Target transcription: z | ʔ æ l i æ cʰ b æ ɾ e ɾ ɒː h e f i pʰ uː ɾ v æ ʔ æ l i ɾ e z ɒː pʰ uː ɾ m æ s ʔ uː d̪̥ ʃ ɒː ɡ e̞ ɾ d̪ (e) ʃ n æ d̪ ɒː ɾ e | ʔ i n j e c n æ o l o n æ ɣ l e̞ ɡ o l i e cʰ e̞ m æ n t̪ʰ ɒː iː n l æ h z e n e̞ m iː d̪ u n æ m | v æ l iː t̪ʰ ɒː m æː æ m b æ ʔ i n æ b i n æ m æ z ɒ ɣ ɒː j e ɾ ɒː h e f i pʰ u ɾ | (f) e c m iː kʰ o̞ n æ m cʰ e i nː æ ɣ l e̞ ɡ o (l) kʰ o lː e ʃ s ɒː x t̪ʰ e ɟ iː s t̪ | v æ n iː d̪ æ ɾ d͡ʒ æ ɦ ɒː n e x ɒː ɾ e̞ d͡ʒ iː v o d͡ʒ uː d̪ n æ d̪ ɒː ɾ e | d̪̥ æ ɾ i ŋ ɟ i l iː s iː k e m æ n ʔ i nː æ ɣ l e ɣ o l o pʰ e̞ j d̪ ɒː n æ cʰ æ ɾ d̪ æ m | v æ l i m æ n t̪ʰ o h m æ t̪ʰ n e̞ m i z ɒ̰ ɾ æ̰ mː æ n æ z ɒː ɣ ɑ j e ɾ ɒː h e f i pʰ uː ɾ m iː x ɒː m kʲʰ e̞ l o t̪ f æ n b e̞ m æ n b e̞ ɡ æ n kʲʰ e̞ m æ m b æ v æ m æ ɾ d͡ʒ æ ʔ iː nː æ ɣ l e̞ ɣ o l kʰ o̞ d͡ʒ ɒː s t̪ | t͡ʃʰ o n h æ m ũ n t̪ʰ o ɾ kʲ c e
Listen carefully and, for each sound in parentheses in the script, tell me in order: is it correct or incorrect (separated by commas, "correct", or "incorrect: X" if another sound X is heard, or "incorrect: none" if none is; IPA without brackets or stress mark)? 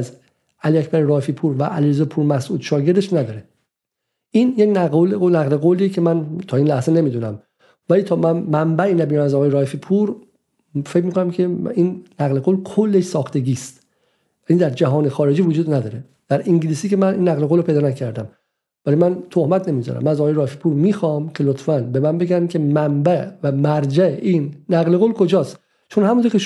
correct, correct, correct